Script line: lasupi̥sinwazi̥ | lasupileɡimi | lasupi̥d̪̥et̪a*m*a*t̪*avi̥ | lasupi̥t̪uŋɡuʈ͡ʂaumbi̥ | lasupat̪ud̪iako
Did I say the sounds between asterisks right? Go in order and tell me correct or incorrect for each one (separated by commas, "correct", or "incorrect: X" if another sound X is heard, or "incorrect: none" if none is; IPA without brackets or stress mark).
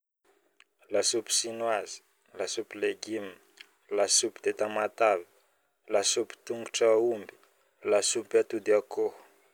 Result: correct, correct